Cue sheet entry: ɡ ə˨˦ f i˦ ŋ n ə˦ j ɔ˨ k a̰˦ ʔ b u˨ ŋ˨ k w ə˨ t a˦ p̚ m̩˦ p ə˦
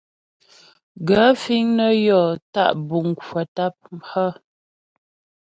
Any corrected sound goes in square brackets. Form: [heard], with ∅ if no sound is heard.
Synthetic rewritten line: ɡ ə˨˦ f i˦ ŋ n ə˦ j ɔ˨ [t] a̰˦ ʔ b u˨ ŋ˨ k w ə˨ t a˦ p̚ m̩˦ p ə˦